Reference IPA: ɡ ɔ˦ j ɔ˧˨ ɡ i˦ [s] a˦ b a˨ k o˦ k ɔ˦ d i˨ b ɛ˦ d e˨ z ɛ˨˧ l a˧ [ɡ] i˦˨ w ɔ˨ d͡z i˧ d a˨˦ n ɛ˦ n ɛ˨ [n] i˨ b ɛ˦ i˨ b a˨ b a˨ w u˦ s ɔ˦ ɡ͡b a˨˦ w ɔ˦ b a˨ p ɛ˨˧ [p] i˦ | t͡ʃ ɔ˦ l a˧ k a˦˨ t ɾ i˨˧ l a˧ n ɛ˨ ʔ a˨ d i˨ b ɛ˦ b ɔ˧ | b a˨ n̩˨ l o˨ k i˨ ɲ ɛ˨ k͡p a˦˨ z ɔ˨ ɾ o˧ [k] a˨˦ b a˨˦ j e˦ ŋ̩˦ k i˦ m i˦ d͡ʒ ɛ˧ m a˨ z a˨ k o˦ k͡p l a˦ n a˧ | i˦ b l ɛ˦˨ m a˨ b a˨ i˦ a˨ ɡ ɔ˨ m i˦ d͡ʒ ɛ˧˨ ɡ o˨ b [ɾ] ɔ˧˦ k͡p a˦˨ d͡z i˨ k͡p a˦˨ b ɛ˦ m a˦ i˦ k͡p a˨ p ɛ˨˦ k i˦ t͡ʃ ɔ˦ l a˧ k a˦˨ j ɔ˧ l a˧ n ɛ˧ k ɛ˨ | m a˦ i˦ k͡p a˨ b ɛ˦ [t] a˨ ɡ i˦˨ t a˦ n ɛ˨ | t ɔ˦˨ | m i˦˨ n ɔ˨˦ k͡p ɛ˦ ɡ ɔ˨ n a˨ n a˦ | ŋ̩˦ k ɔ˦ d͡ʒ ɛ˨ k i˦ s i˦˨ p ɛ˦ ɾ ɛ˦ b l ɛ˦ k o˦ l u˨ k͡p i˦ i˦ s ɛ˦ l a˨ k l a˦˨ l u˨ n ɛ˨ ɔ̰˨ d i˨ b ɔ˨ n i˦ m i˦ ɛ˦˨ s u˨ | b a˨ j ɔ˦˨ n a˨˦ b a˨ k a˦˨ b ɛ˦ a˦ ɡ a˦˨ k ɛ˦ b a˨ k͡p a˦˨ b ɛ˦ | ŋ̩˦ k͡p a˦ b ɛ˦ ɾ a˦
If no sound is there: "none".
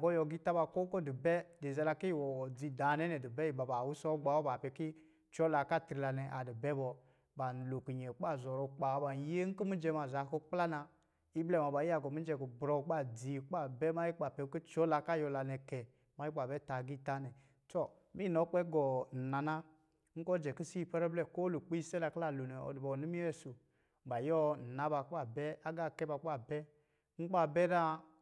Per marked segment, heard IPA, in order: t, k, d, k, k͡p, ɾ, t

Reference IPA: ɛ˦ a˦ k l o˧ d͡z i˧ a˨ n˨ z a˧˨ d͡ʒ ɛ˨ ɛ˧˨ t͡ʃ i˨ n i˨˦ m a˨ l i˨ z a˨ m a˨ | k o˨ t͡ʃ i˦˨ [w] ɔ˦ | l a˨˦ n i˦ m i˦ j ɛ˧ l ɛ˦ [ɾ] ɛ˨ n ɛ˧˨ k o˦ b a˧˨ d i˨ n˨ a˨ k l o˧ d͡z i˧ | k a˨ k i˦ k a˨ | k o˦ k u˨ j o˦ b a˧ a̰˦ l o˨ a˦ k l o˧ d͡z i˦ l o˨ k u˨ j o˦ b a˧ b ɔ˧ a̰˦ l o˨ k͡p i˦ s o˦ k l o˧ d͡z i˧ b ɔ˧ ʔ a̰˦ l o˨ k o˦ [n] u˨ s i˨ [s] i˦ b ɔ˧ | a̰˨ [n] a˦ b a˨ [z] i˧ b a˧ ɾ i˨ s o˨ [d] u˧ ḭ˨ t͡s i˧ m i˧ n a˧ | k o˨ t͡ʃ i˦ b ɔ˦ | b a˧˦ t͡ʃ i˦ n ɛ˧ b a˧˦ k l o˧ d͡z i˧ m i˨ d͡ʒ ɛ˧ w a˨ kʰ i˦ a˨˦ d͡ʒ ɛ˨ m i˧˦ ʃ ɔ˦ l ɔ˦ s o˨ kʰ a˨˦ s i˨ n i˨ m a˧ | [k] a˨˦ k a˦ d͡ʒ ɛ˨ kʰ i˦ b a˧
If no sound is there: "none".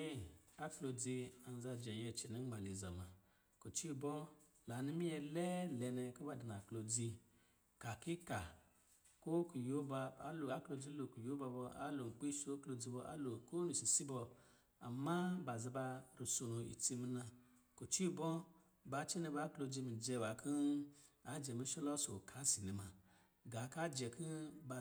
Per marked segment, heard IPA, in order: b, l, n, s, m, z, n, ɡ

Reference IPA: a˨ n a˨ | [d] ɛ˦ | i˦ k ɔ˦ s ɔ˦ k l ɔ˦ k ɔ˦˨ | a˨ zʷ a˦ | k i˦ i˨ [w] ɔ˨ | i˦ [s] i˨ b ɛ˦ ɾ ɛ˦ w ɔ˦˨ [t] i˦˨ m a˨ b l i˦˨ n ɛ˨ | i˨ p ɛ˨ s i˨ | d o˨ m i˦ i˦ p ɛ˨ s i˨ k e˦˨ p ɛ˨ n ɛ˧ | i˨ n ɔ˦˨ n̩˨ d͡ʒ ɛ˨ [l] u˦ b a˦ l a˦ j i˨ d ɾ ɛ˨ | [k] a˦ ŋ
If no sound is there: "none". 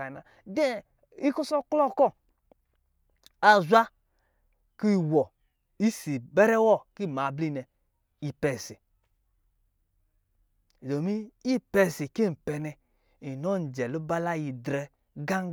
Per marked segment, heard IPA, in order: d, w, s, k, l, ɡ

